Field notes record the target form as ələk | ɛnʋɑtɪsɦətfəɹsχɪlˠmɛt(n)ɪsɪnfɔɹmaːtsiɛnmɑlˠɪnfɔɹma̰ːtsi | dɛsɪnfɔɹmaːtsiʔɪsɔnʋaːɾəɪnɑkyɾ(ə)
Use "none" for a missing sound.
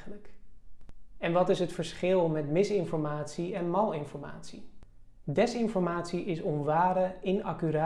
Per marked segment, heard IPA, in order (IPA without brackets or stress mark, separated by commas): m, a